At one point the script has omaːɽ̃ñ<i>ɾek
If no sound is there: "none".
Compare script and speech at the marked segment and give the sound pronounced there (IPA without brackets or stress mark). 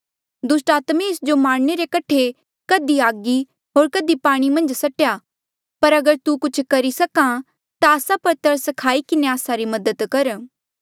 e